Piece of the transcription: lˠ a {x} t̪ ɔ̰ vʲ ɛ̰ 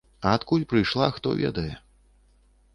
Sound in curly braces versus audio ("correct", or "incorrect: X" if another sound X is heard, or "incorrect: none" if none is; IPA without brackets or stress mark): correct